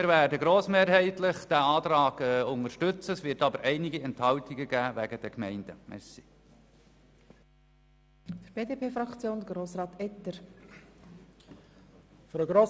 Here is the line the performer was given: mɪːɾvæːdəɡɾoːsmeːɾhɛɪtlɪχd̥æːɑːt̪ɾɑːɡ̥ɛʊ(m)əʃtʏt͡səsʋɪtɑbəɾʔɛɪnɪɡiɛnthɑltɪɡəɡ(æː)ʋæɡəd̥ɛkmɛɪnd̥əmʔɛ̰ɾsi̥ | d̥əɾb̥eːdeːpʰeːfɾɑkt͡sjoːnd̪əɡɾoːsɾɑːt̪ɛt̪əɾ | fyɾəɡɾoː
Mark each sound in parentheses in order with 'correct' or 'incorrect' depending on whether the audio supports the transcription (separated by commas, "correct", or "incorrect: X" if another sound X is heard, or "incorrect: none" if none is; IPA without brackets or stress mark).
incorrect: ŋ, correct